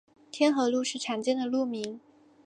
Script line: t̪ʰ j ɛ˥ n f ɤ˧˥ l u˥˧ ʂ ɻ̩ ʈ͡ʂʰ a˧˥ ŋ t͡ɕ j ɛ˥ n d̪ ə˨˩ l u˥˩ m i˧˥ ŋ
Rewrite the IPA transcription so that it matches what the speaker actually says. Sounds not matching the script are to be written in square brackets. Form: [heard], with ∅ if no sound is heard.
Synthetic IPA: t̪ʰ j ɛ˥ n [x] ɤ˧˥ l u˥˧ ʂ ɻ̩ ʈ͡ʂʰ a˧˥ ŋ t͡ɕ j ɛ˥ n d̪ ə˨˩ l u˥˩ m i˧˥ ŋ